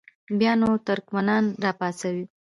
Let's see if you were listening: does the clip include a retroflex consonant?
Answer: no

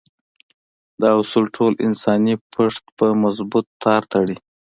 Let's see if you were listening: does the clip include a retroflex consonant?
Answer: yes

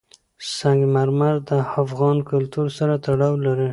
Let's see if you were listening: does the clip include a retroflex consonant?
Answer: yes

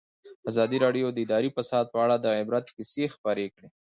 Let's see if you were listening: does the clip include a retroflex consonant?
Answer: yes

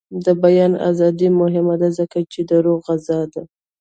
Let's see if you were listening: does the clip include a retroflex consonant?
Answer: no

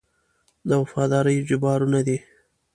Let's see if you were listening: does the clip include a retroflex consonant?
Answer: no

